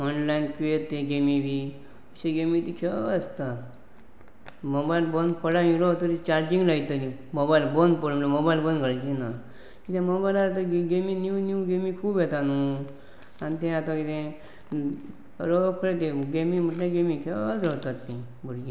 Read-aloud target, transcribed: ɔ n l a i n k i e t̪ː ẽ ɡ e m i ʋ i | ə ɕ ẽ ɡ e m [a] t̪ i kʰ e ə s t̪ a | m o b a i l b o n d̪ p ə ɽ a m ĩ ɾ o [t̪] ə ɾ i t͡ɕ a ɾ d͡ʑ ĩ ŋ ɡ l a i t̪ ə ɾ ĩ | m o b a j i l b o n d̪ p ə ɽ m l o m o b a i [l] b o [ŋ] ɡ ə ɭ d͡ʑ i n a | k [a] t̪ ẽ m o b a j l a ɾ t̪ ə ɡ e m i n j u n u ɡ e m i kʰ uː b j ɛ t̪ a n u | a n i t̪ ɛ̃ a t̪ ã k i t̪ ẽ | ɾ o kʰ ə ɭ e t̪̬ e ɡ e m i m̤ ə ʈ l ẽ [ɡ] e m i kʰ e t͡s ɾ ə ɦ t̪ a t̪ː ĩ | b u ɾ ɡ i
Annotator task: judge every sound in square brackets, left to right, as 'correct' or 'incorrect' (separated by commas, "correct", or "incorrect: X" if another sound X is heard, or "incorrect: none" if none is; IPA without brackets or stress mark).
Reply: incorrect: i, correct, correct, incorrect: n, incorrect: i, correct